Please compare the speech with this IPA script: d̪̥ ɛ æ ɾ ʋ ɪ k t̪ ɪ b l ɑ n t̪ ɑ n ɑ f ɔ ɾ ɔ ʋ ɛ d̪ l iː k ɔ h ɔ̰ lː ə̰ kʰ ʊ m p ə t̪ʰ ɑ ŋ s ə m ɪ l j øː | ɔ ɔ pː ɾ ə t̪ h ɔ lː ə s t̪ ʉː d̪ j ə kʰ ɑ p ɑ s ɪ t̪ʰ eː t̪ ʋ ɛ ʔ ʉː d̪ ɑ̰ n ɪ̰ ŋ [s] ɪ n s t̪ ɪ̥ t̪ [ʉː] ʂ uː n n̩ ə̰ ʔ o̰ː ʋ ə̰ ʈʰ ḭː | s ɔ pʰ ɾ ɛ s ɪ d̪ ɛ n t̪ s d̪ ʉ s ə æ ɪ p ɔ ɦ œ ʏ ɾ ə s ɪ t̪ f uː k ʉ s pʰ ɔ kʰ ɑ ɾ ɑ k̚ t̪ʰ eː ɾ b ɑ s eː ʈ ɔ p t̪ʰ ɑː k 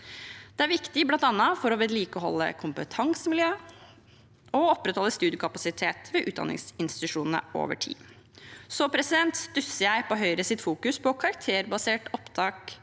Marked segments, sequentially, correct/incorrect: correct, incorrect: ʉ

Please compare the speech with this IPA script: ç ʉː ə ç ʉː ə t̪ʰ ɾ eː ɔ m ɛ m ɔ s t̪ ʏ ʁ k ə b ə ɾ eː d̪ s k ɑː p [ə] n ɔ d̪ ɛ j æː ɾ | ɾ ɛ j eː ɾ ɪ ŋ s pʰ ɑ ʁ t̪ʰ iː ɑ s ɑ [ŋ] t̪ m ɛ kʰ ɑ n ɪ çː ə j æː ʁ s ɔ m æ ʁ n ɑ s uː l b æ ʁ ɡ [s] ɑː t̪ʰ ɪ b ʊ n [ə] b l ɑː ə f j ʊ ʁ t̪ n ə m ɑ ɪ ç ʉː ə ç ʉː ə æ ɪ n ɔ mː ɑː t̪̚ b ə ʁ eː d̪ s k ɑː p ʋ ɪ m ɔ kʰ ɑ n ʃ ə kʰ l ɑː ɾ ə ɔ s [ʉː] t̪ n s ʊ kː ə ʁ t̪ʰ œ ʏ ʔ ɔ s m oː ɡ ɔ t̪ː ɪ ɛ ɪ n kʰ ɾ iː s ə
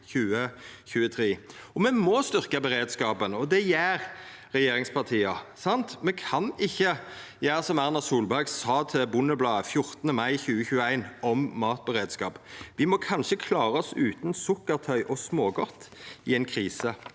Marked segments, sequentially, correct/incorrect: correct, incorrect: n, correct, correct, correct

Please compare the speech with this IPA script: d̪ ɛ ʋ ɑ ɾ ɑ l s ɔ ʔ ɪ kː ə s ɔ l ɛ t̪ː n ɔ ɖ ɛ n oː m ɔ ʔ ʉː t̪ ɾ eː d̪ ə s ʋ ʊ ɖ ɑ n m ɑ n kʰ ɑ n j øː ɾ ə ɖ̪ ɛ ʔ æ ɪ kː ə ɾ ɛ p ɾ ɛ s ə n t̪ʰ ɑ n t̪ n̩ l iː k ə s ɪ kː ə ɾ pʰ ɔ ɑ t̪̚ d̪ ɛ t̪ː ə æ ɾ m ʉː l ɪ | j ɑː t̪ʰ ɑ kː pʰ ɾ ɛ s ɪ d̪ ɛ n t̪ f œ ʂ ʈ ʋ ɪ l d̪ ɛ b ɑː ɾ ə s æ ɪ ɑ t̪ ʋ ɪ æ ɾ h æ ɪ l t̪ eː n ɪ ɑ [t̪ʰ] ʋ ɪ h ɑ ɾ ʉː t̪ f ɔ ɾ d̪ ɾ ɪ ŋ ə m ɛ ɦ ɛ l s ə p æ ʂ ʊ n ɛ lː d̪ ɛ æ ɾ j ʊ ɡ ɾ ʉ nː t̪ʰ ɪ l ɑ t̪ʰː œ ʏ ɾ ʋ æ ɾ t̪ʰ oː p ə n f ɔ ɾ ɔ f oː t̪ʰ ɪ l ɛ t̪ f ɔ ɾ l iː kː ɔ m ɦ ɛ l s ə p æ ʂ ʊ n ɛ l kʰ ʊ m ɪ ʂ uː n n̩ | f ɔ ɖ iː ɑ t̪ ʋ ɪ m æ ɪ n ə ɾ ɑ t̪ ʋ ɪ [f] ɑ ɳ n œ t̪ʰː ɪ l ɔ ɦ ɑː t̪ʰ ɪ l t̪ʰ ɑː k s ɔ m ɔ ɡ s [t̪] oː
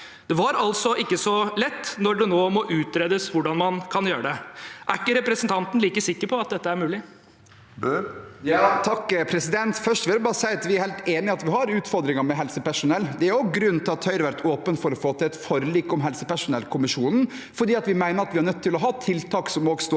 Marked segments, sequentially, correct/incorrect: incorrect: t̪, incorrect: h, correct

